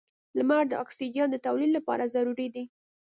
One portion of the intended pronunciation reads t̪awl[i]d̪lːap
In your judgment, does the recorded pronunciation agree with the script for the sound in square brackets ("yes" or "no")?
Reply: yes